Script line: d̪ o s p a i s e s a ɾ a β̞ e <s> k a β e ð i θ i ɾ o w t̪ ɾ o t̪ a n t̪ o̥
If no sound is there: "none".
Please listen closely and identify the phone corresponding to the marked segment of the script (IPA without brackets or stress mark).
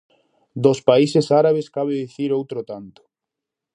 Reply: s